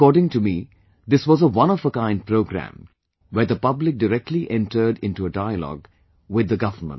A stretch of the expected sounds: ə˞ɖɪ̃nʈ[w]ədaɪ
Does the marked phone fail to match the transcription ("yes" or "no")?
yes